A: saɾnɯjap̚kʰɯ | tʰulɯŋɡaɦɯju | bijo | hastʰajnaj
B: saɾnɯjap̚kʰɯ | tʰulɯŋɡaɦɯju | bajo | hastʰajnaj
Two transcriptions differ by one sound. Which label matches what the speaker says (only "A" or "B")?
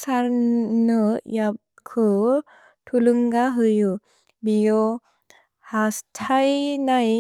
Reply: A